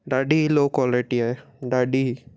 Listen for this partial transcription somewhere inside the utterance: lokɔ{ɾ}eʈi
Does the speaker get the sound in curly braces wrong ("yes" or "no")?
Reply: yes